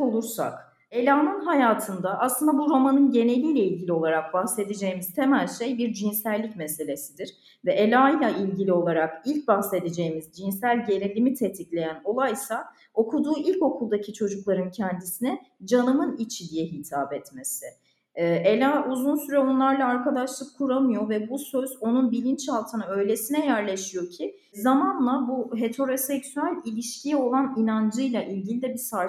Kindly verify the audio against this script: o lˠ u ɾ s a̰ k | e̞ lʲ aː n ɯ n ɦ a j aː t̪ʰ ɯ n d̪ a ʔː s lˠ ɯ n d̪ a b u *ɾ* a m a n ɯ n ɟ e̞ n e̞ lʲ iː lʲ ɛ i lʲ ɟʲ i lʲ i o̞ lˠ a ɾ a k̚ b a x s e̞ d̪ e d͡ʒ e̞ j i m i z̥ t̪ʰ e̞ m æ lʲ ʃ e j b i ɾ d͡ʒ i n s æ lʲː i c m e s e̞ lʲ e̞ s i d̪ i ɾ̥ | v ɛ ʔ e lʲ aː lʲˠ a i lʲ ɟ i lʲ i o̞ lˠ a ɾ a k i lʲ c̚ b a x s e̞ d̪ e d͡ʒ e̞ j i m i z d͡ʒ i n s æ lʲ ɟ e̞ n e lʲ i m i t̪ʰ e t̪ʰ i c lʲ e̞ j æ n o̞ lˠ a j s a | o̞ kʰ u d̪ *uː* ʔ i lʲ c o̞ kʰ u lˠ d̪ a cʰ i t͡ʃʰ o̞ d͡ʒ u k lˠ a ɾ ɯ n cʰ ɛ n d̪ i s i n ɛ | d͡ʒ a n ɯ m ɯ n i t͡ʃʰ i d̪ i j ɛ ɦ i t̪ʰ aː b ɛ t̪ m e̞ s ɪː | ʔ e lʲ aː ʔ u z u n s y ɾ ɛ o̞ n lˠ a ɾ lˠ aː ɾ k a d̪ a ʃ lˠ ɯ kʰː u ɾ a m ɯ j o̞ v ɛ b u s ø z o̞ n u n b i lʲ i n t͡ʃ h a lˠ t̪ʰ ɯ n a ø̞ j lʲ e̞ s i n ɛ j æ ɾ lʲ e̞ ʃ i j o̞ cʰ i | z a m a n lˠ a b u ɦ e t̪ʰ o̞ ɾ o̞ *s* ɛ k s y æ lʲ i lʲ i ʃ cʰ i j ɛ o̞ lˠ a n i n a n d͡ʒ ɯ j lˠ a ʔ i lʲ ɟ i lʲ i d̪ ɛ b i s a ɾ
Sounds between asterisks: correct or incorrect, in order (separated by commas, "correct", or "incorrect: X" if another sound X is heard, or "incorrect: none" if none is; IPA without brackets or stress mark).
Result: correct, correct, correct